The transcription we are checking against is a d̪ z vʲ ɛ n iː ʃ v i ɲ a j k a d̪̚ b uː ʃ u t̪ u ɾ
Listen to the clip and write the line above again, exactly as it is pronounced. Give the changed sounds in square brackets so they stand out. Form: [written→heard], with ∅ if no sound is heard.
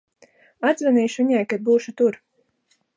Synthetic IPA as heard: a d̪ z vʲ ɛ n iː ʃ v i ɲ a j k a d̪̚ b uː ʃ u t̪ u ɾ